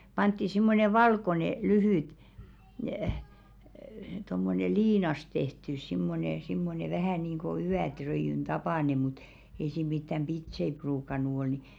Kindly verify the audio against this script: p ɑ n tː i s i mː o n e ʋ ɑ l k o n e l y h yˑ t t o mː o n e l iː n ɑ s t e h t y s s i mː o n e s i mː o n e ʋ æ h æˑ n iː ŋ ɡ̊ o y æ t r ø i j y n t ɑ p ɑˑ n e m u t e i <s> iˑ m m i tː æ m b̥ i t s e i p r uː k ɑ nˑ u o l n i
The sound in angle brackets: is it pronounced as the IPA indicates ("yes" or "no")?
yes